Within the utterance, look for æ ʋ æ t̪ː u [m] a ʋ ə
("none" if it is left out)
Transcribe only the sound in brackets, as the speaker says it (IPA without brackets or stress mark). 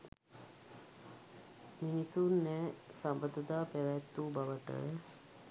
b